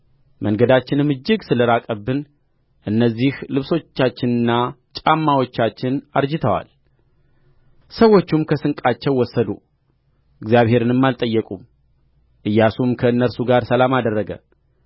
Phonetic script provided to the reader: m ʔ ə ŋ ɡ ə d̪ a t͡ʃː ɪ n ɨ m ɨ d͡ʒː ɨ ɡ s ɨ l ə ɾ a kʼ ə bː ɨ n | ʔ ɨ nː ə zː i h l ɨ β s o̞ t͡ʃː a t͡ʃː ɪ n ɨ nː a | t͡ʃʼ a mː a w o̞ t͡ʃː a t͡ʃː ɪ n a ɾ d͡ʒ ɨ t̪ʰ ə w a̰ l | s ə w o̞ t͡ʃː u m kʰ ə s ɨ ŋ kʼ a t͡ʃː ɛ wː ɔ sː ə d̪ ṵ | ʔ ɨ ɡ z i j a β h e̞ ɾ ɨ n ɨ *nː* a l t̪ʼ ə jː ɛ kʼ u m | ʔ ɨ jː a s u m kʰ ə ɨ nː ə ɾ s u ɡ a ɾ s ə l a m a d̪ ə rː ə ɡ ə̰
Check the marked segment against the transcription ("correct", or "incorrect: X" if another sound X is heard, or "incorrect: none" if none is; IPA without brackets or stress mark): incorrect: mː